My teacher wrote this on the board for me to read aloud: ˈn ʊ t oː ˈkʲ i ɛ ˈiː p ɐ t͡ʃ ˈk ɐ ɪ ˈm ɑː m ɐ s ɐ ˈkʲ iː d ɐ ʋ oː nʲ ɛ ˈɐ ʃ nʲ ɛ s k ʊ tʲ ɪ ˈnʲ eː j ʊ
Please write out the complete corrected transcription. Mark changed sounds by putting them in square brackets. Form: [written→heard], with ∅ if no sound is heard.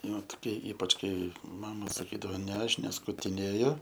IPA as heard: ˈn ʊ t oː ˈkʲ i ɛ ˈiː p ɐ t͡ʃ ˈk ɐ ɪ ˈm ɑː m ɐ s ɐ ˈkʲ iː d ɐ ʋ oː nʲ ɛ ˈɐ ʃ nʲ ɛ s k ʊ tʲ ɪ ˈnʲ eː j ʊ